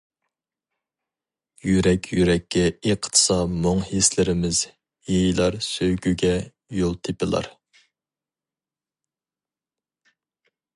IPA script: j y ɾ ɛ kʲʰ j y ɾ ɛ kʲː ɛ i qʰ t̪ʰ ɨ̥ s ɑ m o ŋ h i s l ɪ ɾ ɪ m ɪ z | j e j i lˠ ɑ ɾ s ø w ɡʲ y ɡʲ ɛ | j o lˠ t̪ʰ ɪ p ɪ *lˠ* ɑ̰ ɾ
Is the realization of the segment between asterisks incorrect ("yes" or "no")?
no